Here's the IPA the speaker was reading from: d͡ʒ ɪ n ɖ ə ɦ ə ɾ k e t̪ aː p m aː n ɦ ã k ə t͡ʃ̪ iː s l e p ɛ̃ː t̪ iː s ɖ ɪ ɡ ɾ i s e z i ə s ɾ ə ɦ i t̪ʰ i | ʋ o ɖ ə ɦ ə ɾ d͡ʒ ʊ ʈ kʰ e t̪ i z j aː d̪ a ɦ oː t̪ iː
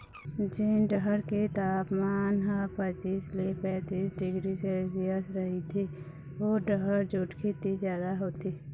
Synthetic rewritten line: d͡ʒ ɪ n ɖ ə ɦ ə ɾ k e t̪ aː p m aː n ɦ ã p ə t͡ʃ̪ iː s l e p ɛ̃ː t̪ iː s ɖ ɪ ɡ ɾ i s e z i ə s ɾ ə ɦ i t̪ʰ i | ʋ o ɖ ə ɦ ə ɾ d͡ʒ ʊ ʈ kʰ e t̪ i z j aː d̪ a ɦ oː t̪ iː